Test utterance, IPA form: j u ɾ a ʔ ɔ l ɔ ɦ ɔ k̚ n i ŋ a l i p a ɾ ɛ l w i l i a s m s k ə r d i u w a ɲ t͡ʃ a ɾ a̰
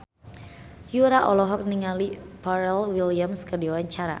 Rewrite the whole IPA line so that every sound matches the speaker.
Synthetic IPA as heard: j u ɾ a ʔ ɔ l ɔ ɦ ɔ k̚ n i ŋ a l i p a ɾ ɛ l w i l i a m s k ə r d i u w a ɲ t͡ʃ a ɾ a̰